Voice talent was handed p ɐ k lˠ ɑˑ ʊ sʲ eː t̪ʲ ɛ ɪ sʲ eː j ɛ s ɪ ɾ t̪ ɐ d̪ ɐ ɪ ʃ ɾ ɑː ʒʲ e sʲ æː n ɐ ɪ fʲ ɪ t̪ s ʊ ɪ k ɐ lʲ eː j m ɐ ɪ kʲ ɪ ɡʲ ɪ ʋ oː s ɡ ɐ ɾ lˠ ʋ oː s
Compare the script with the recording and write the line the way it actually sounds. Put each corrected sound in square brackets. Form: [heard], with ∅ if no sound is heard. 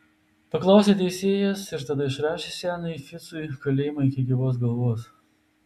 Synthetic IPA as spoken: p ɐ k lˠ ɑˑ ʊ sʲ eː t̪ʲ ɛ ɪ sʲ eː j ɛ s ɪ ɾ t̪ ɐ d̪ ɐ ɪ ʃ ɾ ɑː [ʃʲ] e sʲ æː n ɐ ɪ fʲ ɪ t̪ s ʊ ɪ k ɐ lʲ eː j m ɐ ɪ kʲ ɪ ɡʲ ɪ ʋ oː s ɡ ɐ [∅] lˠ ʋ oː s

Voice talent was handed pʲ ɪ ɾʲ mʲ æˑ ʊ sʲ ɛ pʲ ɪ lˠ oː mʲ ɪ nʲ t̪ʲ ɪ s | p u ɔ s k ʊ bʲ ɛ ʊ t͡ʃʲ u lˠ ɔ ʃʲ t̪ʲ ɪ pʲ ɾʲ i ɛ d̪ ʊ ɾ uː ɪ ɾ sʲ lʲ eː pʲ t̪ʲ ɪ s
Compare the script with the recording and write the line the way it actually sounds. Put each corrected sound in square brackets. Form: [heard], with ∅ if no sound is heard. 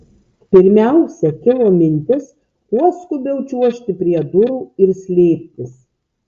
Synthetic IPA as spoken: pʲ ɪ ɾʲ mʲ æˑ ʊ sʲ ɛ [kʲ] ɪ lˠ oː mʲ ɪ nʲ t̪ʲ ɪ s | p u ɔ s k ʊ bʲ ɛ ʊ t͡ʃʲ u [∅] ɔ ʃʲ t̪ʲ ɪ pʲ ɾʲ i ɛ d̪ ʊ ɾ uː ɪ ɾ sʲ lʲ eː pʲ t̪ʲ ɪ s

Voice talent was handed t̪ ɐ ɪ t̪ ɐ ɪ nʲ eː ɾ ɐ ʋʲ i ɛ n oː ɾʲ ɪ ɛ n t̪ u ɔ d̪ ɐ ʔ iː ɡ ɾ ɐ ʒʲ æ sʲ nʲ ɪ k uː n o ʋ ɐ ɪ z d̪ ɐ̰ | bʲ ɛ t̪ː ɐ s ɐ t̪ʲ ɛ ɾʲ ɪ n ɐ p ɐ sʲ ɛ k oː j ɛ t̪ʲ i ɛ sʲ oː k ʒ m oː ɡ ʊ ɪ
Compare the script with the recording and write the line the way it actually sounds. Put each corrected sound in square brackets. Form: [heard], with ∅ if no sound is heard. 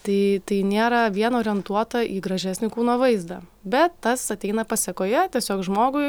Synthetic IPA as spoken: t̪ ɐ ɪ t̪ ɐ ɪ nʲ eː ɾ ɐ ʋʲ i ɛ n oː ɾʲ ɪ ɛ n t̪ u ɔ [t̪] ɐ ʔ iː ɡ ɾ ɐ ʒʲ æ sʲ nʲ ɪ k uː n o ʋ ɐ ɪ z d̪ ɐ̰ | bʲ ɛ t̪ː ɐ s ɐ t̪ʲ ɛ [∅] ɪ n ɐ p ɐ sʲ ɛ k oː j ɛ t̪ʲ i ɛ sʲ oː k ʒ m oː ɡ ʊ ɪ

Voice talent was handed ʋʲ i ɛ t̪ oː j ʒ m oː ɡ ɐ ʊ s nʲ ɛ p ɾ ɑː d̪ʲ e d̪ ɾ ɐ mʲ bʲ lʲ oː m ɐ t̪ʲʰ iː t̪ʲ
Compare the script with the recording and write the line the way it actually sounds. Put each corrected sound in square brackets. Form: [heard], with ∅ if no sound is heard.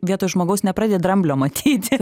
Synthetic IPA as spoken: ʋʲ i ɛ t̪ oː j ʒ m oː ɡ ɐ ʊ s nʲ ɛ p ɾ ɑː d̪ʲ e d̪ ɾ ɐ mʲ bʲ lʲ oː m ɐ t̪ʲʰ iː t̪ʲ

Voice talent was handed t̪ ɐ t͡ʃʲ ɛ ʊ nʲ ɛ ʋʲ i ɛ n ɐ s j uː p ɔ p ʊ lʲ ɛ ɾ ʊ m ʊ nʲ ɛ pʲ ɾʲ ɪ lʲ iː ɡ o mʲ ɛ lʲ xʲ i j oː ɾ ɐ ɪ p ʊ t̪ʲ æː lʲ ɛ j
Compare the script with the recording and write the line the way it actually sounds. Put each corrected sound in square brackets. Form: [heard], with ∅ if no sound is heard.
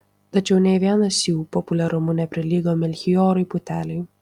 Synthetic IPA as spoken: t̪ ɐ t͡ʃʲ ɛ ʊ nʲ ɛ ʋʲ i ɛ n ɐ s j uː p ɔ p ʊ lʲ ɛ ɾ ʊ m ʊ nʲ ɛ pʲ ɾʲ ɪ lʲ iː ɡ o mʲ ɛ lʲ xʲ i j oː ɾ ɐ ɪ p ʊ t̪ʲ æː lʲ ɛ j

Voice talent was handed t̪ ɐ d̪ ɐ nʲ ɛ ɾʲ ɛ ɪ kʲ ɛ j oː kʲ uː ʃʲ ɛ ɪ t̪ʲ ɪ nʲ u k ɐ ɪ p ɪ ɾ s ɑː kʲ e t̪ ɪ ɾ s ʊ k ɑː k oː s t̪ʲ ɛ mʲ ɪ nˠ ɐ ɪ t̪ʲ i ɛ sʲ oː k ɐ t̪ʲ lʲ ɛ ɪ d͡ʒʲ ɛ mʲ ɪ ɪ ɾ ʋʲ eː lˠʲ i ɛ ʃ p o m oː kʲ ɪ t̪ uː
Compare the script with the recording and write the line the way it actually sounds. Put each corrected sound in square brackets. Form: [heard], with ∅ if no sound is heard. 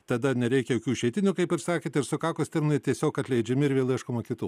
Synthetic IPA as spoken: t̪ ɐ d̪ ɐ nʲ ɛ ɾʲ ɛ ɪ kʲ ɛ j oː kʲ uː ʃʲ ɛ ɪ t̪ʲ ɪ nʲ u k ɐ ɪ p ɪ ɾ s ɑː kʲ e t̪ ɪ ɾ s ʊ k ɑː k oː s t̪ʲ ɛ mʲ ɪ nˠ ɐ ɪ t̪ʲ i ɛ sʲ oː k ɐ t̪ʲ lʲ ɛ ɪ d͡ʒʲ ɛ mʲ ɪ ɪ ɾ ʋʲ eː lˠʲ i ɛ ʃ [k] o m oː kʲ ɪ t̪ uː

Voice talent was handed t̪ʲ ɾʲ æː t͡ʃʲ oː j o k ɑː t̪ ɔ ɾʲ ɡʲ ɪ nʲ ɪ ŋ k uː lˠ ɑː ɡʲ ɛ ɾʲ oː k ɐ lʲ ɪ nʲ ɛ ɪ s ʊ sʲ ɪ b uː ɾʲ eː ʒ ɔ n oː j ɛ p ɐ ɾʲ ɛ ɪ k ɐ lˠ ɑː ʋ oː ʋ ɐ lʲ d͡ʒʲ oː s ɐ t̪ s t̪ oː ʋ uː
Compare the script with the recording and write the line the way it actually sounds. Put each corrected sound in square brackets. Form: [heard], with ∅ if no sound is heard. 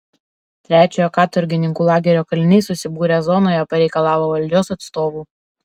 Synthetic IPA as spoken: t̪ʲ ɾʲ æː t͡ʃʲ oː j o k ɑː t̪ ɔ ɾʲ ɡʲ ɪ nʲ ɪ ŋ k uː lˠ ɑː ɡʲ ɛ ɾʲ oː k ɐ lʲ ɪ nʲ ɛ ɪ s ʊ sʲ ɪ b uː ɾʲ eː [z] ɔ n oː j ɛ p ɐ ɾʲ ɛ ɪ k ɐ lˠ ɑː ʋ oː ʋ ɐ lʲ d͡ʒʲ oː s ɐ t̪ s t̪ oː ʋ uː

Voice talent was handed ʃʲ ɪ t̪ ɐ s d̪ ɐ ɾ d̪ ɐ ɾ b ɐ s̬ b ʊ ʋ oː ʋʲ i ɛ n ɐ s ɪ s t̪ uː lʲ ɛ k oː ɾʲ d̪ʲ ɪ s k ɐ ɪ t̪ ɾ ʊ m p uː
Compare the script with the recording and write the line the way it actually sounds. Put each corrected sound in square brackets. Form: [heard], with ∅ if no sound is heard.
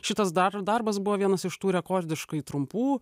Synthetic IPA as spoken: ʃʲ ɪ t̪ ɐ s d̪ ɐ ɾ d̪ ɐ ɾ b ɐ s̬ b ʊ ʋ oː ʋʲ i ɛ n ɐ s ɪ [ʃ] t̪ uː [ɾʲ] ɛ k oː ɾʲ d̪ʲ ɪ [ʃ] k ɐ ɪ t̪ ɾ ʊ m p uː

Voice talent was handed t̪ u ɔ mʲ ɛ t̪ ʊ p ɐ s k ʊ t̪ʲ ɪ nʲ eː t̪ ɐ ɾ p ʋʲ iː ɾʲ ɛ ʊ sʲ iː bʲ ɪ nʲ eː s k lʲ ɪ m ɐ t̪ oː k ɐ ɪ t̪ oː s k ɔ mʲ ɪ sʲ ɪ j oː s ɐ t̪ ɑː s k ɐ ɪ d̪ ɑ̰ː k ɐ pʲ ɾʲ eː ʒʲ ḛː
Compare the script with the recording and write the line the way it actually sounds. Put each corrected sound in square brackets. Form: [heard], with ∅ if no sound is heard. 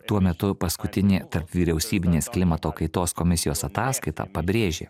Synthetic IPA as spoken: t̪ u ɔ mʲ ɛ t̪ ʊ p ɐ s k ʊ t̪ʲ ɪ nʲ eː t̪ ɐ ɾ p ʋʲ iː ɾʲ ɛ ʊ sʲ iː bʲ ɪ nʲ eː s k lʲ ɪ m ɐ t̪ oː k ɐ ɪ t̪ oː s k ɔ mʲ ɪ sʲ ɪ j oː s ɐ t̪ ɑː s k ɐ ɪ [t̪] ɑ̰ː [p] ɐ [bʲ] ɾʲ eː ʒʲ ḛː

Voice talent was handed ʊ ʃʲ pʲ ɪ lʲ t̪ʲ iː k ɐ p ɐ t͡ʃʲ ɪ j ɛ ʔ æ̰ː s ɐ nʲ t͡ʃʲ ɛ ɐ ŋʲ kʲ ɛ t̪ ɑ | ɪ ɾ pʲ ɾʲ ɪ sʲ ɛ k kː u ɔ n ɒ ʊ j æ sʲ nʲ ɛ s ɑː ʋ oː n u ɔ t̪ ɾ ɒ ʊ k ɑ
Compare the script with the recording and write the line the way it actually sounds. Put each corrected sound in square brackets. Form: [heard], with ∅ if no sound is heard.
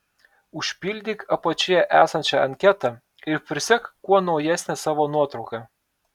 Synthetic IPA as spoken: ʊ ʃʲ pʲ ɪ lʲ [d̪ʲ] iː k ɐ p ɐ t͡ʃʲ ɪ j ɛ ʔ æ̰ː s ɐ nʲ t͡ʃʲ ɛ ɐ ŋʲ kʲ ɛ t̪ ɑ | ɪ ɾ pʲ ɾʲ ɪ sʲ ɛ k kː u ɔ n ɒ ʊ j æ sʲ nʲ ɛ s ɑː ʋ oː n u ɔ t̪ ɾ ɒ ʊ k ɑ

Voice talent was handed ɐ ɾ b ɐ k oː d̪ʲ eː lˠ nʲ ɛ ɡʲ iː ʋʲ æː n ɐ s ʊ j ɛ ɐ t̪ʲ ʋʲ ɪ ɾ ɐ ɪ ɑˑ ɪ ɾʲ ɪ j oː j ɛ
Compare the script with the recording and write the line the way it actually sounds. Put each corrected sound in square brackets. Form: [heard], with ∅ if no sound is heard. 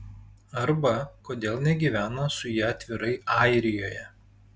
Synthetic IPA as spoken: ɐ ɾ b ɐ k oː d̪ʲ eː lˠ nʲ ɛ ɡʲ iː ʋʲ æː n ɐ s ʊ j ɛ ɐ t̪ʲ ʋʲ ɪ ɾ ɐ ɪ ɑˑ ɪ ɾʲ ɪ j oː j ɛ

